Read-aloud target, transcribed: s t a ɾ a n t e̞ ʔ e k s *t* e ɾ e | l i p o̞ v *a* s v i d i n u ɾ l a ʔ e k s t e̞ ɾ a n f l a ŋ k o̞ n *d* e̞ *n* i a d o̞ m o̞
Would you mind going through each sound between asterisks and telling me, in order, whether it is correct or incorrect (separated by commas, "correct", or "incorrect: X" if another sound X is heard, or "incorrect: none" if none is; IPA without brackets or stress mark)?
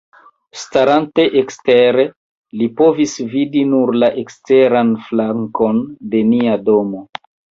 correct, incorrect: i, correct, correct